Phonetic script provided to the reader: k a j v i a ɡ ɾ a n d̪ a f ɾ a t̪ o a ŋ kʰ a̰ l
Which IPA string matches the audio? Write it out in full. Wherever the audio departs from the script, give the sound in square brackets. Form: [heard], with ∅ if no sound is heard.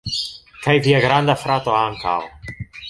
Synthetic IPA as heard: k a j v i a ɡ ɾ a n d̪ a f ɾ a t̪ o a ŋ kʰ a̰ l